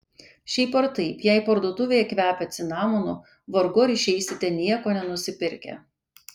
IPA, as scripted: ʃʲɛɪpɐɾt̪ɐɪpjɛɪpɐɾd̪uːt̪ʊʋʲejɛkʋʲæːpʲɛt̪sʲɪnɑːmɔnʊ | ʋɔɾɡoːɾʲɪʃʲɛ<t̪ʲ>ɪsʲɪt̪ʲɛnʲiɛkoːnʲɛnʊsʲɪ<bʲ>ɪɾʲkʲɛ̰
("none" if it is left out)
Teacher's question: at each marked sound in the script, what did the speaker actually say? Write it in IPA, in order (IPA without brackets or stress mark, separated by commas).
none, pʲ